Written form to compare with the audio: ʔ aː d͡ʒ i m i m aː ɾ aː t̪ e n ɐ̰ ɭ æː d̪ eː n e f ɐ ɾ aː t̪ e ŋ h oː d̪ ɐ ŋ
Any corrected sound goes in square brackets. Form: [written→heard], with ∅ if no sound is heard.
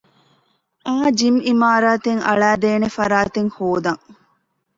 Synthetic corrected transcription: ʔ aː d͡ʒ i m i m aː ɾ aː t̪ e [n→ŋ] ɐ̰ ɭ æː d̪ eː n e f ɐ ɾ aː t̪ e ŋ h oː d̪ ɐ ŋ

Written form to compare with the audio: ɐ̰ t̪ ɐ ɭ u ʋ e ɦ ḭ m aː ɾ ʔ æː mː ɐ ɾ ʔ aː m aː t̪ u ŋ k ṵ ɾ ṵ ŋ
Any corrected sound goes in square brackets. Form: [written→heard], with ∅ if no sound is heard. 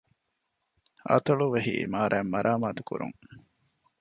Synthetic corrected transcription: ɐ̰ t̪ ɐ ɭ u ʋ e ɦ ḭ m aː ɾ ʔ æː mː ɐ ɾ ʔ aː m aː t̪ u [ŋ→∅] k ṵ ɾ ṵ ŋ

